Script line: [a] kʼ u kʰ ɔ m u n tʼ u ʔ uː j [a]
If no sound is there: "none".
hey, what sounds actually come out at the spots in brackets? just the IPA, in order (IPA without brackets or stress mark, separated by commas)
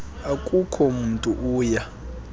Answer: a, a